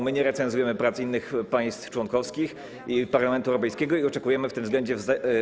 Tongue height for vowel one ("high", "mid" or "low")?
mid